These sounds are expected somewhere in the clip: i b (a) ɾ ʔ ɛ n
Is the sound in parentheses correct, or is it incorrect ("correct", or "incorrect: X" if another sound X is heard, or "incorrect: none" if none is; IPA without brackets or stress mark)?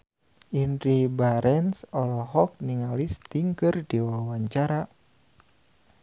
correct